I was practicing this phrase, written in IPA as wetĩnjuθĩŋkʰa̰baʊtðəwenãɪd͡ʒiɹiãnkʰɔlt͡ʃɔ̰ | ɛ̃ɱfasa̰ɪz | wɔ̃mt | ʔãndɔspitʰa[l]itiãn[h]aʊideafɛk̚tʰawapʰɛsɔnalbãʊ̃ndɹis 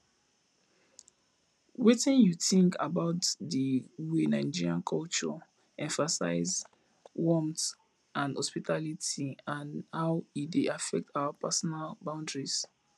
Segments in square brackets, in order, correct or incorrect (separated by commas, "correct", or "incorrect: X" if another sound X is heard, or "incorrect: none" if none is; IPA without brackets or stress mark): correct, correct